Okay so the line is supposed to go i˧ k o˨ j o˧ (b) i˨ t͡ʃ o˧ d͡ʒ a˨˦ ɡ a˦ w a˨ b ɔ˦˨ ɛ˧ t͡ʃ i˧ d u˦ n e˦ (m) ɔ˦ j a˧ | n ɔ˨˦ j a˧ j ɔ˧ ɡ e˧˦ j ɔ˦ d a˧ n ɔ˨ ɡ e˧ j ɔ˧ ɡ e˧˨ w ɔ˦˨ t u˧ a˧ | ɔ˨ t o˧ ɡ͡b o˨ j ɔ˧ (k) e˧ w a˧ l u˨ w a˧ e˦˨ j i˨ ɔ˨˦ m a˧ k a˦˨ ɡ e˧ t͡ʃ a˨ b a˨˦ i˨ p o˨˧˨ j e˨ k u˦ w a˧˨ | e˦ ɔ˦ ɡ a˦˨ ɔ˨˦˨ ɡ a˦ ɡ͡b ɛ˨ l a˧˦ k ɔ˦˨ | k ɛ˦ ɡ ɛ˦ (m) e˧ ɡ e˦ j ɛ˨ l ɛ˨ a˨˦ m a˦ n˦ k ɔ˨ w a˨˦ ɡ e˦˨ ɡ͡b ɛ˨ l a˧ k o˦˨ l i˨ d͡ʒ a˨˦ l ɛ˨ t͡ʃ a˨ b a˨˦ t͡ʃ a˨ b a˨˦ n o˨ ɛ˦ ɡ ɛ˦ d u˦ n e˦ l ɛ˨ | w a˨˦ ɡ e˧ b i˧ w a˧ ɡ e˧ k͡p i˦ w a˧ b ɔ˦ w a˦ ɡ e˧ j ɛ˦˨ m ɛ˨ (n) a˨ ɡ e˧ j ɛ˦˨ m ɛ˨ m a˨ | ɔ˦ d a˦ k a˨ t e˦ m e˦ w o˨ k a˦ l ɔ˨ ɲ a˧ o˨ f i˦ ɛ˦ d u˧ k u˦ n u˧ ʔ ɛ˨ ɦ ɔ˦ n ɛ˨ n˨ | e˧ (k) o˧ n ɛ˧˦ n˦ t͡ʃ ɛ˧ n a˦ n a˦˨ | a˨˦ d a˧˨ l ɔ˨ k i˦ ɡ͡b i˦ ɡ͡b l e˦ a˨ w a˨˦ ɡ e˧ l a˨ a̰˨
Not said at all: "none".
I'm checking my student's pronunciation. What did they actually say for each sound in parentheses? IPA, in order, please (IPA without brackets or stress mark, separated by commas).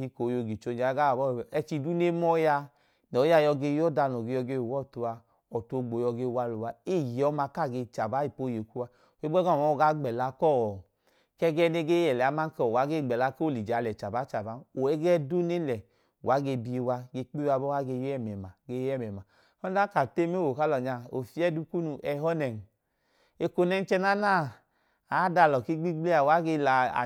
ɡ, m, ɡ, n, m, k